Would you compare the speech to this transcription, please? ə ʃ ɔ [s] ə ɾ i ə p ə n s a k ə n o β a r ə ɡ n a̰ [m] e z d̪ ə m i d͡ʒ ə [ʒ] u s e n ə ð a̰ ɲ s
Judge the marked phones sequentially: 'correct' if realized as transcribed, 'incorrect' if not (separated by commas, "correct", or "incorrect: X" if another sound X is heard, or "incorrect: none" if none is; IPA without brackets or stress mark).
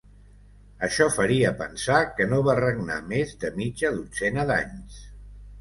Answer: incorrect: f, correct, incorrect: ð